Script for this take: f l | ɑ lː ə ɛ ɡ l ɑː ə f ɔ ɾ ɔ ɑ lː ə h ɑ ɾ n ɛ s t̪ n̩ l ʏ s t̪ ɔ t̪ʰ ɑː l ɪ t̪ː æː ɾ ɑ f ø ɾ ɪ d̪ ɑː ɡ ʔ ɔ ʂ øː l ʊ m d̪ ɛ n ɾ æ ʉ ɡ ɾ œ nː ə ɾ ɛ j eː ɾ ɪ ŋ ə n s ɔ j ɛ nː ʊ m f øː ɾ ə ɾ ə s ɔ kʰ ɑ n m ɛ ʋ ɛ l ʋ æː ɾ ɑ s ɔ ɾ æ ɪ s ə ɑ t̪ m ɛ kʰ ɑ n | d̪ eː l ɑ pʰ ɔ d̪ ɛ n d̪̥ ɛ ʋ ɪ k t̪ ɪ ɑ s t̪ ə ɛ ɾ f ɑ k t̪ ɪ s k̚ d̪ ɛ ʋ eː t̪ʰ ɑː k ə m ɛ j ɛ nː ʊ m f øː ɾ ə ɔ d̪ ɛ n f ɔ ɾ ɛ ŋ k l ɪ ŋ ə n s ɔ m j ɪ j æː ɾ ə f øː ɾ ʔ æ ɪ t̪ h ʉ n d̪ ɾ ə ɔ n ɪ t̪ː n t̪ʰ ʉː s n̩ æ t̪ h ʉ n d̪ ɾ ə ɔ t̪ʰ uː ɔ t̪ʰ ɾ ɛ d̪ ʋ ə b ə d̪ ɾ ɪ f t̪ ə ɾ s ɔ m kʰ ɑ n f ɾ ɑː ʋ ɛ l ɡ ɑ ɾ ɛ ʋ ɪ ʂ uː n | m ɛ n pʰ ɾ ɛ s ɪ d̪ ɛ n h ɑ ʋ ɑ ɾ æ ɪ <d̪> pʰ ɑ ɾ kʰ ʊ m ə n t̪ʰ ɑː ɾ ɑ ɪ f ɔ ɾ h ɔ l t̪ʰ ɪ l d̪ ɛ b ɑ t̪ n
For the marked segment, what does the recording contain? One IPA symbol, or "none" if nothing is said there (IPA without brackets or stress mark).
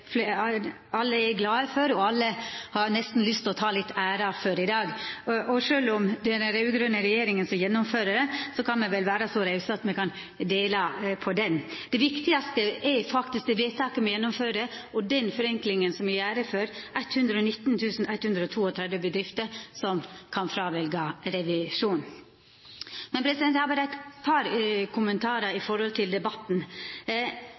t̪